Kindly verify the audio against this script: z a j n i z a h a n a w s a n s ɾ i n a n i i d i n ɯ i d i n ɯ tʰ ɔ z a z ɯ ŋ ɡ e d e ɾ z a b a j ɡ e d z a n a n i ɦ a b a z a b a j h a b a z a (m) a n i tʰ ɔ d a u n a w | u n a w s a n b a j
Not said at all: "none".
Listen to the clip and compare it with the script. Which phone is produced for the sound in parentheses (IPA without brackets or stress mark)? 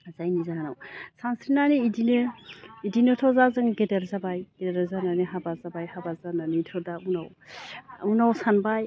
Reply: n